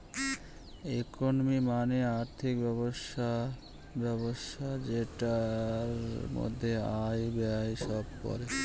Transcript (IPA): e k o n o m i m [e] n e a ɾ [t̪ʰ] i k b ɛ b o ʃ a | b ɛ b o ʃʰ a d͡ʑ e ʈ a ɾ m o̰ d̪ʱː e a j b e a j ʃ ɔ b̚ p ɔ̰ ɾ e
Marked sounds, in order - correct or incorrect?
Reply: incorrect: a, correct

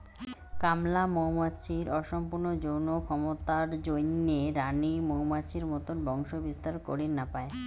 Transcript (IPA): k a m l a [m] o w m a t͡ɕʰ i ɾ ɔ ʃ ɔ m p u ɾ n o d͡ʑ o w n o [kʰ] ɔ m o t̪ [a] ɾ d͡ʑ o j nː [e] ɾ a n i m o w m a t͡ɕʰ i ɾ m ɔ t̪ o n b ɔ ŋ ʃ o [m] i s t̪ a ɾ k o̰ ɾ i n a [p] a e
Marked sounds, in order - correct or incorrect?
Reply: correct, correct, correct, correct, incorrect: b, correct

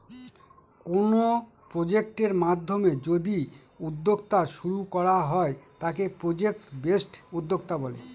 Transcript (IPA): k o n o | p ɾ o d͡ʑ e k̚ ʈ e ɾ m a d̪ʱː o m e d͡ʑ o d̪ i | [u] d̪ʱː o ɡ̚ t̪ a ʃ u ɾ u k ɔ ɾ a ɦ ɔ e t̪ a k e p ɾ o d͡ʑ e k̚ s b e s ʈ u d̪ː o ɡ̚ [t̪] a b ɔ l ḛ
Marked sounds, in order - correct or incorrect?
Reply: correct, correct

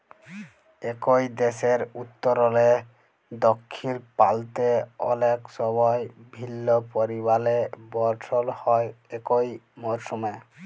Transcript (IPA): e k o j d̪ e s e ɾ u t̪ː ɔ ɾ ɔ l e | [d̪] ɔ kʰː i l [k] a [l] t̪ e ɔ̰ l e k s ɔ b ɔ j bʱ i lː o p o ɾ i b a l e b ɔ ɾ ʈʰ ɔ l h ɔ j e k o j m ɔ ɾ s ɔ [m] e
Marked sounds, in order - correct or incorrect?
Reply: correct, incorrect: p, correct, correct

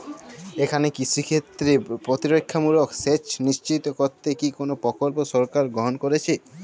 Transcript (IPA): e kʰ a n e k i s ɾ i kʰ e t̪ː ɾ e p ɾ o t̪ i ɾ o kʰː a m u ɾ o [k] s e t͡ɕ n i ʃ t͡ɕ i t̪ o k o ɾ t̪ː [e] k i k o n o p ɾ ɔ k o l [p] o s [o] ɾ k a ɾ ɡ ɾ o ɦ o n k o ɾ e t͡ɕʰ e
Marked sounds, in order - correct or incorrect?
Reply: correct, correct, correct, incorrect: ɔ

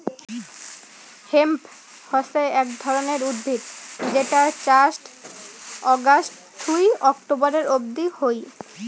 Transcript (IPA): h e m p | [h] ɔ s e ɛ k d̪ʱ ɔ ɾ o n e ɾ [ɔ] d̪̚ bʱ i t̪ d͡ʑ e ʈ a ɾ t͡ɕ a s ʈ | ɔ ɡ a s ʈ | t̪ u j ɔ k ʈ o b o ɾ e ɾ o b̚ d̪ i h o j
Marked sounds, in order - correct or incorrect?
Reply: correct, incorrect: u

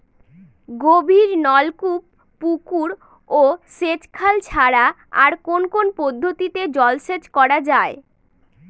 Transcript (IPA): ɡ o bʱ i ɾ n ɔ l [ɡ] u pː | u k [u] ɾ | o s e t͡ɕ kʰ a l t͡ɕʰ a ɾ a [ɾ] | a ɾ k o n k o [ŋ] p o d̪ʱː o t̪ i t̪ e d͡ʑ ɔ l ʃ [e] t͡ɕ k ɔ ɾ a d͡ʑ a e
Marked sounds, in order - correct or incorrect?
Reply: incorrect: k, correct, incorrect: none, incorrect: n, correct

